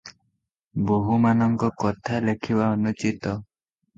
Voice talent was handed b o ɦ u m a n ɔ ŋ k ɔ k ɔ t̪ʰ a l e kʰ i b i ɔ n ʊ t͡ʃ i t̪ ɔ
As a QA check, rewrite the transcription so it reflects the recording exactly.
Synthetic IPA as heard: b o ɦ u m a n ɔ ŋ k ɔ k ɔ t̪ʰ a l e kʰ i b a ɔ n u t͡ʃ i t̪ ɔ